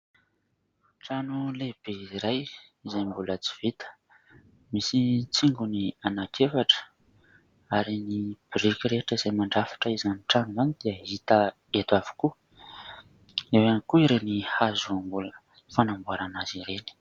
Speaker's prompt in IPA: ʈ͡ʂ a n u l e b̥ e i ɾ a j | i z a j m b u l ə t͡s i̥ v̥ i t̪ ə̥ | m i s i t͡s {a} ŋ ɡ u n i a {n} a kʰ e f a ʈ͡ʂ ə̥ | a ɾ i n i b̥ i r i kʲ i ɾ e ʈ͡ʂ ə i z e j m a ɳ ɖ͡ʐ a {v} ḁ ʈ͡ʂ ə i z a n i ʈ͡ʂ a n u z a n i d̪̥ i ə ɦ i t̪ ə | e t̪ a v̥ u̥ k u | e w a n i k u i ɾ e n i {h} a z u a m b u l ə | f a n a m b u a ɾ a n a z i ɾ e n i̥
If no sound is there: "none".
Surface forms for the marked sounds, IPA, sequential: i, n, f, h

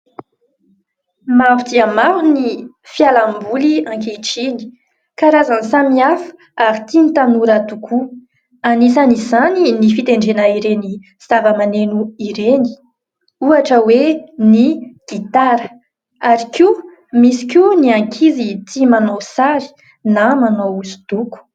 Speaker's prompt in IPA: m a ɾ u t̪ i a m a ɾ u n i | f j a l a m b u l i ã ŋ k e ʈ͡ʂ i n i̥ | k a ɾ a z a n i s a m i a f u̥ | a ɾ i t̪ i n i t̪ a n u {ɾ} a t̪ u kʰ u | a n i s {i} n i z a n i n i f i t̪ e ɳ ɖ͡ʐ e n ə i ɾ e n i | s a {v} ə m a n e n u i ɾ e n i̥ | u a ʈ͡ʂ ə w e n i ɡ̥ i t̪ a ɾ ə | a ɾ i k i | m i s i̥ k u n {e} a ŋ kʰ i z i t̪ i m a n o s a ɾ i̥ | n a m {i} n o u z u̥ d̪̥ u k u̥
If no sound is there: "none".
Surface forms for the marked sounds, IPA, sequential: ɾ, a, v, i, a

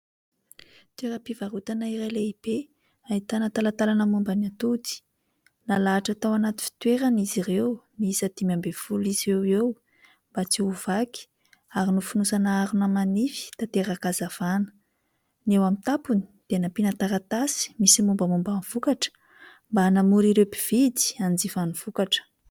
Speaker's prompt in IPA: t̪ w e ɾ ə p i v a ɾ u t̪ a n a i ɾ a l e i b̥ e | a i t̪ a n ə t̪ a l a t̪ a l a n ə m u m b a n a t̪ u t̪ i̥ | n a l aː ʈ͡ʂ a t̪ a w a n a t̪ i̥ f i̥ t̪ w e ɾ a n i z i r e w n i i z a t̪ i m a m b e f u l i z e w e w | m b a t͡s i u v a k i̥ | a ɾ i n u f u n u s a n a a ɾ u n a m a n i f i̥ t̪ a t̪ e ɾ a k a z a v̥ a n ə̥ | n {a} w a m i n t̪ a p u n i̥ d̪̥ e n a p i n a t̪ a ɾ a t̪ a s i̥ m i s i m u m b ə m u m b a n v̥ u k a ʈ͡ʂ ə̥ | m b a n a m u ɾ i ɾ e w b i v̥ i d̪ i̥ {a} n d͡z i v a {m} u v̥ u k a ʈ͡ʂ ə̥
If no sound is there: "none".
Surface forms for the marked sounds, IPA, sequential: e, a, n

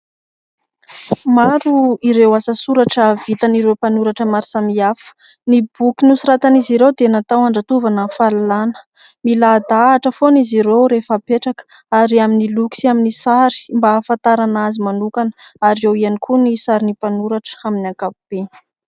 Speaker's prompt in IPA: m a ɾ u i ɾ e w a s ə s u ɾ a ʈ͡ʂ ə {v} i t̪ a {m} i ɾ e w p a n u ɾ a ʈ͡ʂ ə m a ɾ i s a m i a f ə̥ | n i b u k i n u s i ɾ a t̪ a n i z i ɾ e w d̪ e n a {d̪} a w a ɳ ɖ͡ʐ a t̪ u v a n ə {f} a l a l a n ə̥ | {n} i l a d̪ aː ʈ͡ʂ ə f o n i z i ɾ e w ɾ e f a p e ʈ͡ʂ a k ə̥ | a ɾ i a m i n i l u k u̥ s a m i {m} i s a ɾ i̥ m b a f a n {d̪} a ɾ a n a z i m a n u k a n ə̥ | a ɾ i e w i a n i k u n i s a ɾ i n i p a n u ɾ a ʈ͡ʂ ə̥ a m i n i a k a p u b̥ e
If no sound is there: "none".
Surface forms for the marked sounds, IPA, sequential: v, n, t̪, f, m, n, t̪

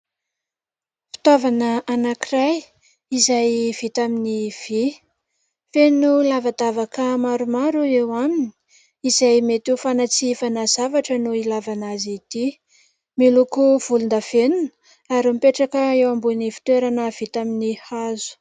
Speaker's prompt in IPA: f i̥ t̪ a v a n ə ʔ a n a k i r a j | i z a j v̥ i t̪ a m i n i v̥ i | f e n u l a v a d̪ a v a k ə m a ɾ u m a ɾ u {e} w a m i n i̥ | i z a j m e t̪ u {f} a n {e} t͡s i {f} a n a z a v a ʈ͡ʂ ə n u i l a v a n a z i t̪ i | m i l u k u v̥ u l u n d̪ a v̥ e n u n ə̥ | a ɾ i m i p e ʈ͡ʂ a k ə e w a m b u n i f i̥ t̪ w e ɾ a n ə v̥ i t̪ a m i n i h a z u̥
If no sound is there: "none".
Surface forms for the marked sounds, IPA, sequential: e, f, a, f

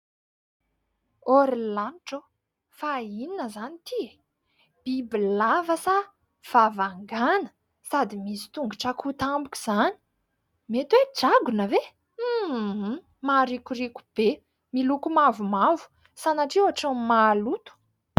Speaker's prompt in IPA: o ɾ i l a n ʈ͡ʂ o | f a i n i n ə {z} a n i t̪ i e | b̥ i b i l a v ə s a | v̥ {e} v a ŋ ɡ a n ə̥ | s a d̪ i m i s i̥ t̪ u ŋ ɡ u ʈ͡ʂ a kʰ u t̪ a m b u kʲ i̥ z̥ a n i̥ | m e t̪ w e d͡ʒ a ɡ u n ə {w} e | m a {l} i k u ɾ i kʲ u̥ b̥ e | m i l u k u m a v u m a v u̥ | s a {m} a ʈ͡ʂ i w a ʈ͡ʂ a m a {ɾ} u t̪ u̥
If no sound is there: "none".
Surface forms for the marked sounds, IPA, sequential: z, a, v, ɾ, n, l

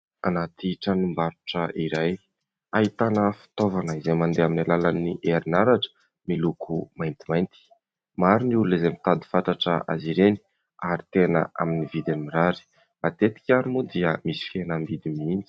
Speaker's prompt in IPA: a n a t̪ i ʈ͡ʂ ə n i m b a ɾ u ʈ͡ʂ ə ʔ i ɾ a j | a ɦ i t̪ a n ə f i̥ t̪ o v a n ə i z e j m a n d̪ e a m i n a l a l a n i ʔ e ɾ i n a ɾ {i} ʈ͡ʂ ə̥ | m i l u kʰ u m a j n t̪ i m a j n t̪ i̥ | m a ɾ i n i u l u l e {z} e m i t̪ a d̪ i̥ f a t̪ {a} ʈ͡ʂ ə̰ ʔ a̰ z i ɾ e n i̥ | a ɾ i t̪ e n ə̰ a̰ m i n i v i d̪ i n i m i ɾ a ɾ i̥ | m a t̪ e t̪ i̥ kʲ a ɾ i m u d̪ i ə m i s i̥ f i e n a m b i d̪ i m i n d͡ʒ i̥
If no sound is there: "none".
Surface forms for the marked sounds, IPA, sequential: a, z, a

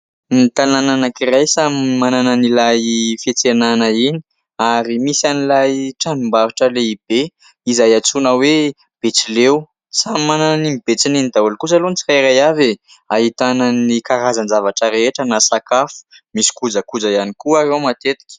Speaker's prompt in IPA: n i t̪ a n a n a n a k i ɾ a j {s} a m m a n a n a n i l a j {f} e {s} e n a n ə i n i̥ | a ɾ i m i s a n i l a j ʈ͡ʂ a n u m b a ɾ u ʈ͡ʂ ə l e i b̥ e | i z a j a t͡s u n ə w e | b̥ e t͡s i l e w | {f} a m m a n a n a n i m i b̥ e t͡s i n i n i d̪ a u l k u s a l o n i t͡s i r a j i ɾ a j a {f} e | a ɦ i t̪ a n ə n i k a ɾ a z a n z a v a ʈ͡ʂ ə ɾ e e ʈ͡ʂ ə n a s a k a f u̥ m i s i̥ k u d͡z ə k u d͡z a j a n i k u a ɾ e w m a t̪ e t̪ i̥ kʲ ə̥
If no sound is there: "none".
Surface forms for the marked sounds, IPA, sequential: s, f, t͡s, s, v

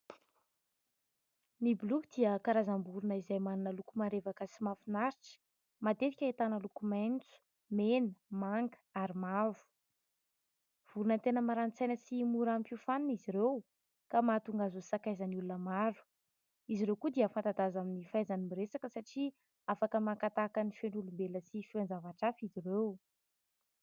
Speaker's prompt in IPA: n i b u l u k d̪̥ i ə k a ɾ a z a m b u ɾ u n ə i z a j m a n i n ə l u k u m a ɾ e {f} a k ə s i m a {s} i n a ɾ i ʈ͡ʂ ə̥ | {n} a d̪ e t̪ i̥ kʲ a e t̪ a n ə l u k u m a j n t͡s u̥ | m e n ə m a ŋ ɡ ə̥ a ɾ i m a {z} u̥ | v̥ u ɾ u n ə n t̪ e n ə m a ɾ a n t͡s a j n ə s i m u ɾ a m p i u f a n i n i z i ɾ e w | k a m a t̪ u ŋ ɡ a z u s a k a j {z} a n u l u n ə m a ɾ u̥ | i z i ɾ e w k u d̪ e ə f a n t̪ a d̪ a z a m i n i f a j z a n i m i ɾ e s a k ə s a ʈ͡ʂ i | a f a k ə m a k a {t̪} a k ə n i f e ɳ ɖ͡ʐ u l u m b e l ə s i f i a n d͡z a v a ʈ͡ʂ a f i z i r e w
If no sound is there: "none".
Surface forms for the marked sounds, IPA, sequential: v, f, m, v, z, t̪

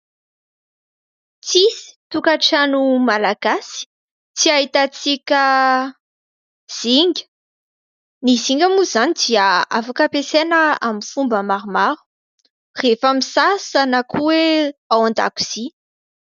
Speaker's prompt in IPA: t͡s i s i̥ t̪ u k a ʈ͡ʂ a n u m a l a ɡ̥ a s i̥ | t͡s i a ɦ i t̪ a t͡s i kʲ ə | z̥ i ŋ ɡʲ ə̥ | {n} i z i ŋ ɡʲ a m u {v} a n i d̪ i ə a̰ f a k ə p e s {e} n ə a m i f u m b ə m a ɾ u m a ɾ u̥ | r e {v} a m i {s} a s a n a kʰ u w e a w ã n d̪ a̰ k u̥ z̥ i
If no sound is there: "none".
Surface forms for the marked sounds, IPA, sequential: n, z, e, f, s

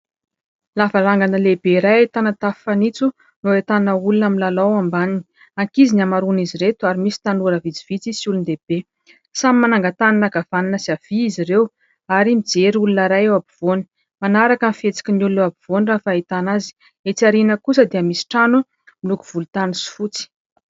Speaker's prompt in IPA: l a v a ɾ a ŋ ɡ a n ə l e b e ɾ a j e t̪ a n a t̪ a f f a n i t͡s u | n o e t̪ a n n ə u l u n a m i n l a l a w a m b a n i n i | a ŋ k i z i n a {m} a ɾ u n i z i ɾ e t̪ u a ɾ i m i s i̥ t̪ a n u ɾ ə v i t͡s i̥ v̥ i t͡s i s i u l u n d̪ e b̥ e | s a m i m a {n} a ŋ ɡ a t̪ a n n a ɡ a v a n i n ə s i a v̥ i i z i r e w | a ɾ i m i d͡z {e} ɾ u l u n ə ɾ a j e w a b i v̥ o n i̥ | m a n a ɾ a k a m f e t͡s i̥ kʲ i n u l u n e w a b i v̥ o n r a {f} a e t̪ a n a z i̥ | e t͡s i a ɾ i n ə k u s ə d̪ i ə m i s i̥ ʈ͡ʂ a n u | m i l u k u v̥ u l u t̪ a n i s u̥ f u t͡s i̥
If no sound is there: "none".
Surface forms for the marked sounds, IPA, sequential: m, n, e, f

